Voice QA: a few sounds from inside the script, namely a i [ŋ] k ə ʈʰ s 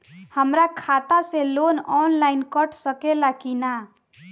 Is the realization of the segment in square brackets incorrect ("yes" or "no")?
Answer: yes